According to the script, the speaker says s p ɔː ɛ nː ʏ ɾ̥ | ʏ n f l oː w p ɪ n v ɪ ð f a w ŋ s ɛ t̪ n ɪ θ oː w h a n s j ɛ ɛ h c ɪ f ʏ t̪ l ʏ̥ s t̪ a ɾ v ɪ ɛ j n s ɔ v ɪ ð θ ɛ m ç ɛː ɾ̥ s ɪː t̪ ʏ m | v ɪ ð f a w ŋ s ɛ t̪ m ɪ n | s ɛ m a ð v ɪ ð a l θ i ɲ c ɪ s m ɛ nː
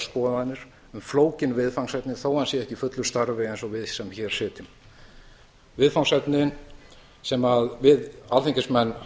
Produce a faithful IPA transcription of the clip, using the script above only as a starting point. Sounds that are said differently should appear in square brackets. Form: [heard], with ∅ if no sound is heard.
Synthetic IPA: s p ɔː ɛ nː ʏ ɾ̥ | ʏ [m] f l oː w [c] ɪ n v ɪ ð f a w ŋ s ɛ t̪ n ɪ θ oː w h a n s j ɛ ɛ h c ɪ f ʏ t̪ l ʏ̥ s t̪ a ɾ v ɪ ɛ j n s ɔ v ɪ ð [s] ɛ m ç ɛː ɾ̥ s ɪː t̪ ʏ m | v ɪ ð f a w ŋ s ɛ t̪ [n] ɪ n | s ɛ m a ð v ɪ ð a l θ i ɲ c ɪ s m ɛ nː